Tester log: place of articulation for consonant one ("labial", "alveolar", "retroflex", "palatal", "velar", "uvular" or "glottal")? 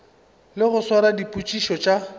alveolar